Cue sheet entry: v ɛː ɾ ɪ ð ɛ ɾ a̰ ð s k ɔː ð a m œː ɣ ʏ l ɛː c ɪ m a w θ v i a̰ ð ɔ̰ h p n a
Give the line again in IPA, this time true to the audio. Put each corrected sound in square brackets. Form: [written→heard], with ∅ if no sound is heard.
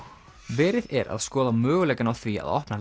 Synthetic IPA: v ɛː ɾ ɪ ð ɛ ɾ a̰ ð s k ɔː ð a m œː ɣ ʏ l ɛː [c→k] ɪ [m→n] a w θ v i a̰ ð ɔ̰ h p n a